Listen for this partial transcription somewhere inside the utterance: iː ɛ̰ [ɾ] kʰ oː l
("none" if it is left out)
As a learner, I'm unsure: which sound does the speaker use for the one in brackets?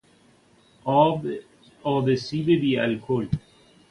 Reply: l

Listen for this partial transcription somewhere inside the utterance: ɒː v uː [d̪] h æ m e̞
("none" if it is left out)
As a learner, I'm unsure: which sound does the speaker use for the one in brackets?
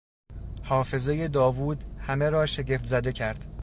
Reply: d̪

